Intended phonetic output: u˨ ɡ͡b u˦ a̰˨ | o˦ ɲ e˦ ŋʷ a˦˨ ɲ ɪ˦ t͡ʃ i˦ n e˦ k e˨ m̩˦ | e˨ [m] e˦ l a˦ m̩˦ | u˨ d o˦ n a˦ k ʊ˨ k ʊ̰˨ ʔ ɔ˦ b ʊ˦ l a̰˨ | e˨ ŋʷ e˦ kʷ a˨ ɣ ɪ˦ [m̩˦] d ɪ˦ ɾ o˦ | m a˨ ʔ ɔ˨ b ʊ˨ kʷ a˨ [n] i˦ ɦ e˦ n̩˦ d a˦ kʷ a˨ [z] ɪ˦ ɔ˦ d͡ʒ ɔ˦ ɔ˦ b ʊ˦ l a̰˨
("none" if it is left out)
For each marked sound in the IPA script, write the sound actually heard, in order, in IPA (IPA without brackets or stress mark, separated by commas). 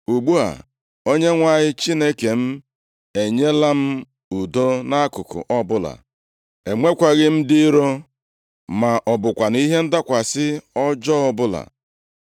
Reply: ɲ, m̩˦, n, s